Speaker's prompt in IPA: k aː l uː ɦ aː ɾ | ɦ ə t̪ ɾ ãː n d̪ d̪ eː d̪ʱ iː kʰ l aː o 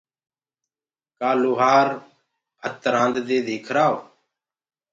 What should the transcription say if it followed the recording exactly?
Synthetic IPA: k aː l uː ɦ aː ɾ | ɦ ə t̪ ɾ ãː n d̪ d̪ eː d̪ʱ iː kʰ ɾ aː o